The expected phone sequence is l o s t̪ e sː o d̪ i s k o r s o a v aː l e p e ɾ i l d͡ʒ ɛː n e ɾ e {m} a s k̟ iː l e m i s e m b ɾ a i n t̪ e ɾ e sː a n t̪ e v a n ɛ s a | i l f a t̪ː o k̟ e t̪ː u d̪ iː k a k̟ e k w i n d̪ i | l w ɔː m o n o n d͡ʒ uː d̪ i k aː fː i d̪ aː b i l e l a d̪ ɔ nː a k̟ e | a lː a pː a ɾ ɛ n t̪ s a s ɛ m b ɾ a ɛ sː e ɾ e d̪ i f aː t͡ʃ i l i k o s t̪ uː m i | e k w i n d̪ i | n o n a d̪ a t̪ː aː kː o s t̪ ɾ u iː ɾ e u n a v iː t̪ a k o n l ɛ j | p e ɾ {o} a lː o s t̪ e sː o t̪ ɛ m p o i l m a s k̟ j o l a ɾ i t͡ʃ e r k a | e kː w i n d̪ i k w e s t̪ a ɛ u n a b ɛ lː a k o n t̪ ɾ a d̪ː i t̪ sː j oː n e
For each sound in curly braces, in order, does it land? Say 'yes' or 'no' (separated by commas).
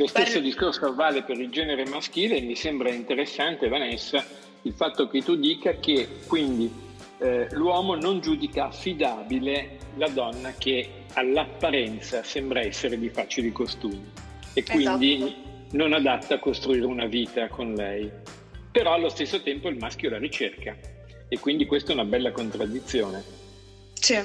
yes, no